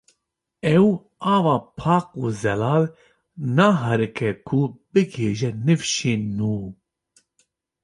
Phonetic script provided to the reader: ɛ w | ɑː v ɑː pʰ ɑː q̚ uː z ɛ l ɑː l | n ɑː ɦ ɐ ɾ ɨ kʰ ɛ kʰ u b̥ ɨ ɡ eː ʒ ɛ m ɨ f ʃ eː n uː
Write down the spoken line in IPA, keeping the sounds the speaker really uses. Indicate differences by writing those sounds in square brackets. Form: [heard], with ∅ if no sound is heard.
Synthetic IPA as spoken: ɛ w | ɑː v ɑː pʰ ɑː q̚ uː z ɛ l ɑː l | n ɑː ɦ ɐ ɾ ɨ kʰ ɛ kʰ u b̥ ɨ ɡ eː ʒ ɛ [n] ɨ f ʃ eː n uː